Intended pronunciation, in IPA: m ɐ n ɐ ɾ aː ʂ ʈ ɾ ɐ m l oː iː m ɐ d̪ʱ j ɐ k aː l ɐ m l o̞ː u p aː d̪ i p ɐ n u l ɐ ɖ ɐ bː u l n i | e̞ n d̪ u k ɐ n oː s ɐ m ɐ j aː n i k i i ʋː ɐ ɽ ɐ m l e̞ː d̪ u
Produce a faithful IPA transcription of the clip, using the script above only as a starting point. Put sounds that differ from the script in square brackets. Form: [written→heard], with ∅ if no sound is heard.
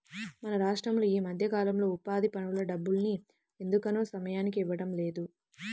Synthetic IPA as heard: m ɐ n ɐ ɾ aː ʂ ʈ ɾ ɐ m l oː iː m ɐ d̪ʱ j ɐ k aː l ɐ m l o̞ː u p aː d̪ i p ɐ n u l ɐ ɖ ɐ bː u l n i | e̞ n d̪ u k ɐ n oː s ɐ m ɐ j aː n i k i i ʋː ɐ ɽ ɐ m l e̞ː d̪ u